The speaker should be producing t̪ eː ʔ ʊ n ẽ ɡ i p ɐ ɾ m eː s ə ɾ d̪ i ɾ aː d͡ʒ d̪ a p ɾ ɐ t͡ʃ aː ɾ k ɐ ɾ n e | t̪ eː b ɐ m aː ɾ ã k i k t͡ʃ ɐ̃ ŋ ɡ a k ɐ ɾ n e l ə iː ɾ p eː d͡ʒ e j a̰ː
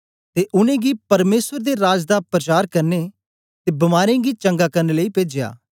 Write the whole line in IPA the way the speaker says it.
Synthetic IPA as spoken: t̪ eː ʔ ʊ n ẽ ɡ i p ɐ ɾ m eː s ə ɾ d̪ e ɾ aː d͡ʒ d̪ a p ɾ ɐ t͡ʃ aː ɾ k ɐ ɾ n e | t̪ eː b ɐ m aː ɾ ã ɡ i t͡ʃ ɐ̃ ŋ ɡ a k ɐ ɾ n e l ə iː p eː d͡ʒ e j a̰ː

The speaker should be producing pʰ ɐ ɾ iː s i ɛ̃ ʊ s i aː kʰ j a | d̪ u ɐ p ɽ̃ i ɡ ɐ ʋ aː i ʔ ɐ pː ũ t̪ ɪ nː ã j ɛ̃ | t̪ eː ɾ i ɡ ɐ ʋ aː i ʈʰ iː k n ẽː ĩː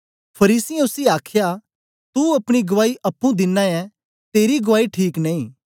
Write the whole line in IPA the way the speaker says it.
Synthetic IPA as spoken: pʰ ɐ ɾ iː s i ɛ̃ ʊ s i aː kʰ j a | t̪ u ɐ p ɽ̃ i ɡ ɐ ʋ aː i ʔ ɐ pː ũ d̪ ɪ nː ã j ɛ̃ | t̪ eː ɾ i ɡ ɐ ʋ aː i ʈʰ iː k n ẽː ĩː

